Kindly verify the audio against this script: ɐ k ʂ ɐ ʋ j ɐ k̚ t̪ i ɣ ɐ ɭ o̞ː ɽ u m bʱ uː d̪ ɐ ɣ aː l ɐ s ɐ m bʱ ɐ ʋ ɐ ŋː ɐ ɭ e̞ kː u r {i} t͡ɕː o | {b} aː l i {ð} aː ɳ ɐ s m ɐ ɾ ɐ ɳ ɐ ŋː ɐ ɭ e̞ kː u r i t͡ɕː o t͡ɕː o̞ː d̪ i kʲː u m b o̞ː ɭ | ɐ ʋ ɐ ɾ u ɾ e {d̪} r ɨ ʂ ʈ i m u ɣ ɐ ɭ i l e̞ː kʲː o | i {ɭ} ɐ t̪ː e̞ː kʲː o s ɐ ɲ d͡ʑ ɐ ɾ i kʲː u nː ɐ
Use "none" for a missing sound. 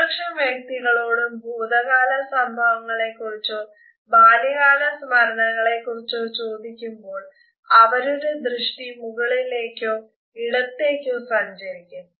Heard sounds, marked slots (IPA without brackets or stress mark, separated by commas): i, b, ɣ, d̪, ɽ